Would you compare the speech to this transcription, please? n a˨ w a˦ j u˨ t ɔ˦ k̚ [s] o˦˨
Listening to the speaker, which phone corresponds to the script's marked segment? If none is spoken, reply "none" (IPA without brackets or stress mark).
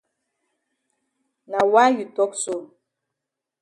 s